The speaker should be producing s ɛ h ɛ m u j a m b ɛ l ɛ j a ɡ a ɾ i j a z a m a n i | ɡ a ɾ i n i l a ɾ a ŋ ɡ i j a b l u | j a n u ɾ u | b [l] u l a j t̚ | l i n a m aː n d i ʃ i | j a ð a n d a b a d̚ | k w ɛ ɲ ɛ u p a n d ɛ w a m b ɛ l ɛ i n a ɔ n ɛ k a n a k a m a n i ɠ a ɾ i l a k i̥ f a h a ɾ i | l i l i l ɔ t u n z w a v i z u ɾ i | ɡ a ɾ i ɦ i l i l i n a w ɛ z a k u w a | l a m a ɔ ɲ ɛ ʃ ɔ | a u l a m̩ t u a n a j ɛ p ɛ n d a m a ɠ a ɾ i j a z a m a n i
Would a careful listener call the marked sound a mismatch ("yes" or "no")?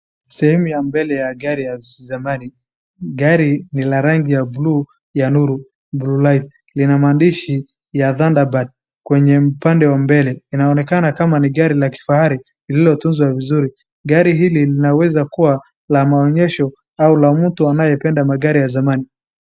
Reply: no